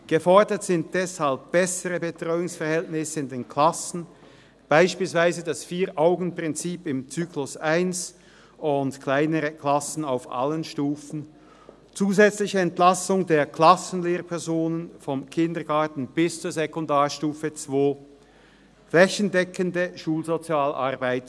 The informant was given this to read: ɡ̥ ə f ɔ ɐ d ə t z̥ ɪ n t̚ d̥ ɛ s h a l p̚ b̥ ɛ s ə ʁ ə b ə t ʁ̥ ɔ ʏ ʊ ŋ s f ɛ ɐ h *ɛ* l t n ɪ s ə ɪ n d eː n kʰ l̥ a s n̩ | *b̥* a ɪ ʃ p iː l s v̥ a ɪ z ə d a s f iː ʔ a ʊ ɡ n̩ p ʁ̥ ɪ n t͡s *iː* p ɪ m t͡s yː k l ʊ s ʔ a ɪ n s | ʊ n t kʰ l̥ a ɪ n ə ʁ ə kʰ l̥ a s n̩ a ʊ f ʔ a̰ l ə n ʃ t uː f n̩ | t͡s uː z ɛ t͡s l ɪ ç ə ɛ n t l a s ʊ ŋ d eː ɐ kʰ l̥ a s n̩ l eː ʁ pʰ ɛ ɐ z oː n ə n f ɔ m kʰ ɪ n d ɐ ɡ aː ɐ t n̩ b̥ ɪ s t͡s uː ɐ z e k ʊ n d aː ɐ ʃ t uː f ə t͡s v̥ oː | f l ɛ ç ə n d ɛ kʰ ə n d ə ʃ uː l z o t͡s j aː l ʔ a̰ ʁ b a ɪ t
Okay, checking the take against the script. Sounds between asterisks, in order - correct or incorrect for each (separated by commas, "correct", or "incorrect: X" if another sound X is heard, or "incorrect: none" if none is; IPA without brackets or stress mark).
correct, correct, correct